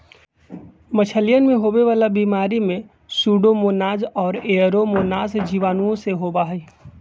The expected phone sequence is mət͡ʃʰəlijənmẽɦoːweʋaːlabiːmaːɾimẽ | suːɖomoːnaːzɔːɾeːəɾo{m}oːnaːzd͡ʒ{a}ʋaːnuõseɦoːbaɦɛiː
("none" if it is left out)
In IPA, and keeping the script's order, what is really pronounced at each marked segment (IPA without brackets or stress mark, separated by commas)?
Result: m, i